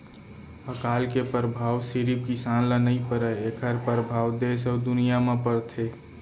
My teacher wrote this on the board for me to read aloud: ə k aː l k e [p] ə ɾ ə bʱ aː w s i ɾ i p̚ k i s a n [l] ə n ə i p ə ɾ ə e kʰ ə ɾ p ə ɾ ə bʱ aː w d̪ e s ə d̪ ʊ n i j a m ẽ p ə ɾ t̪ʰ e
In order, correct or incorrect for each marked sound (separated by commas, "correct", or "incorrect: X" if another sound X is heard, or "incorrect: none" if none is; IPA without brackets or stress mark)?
correct, correct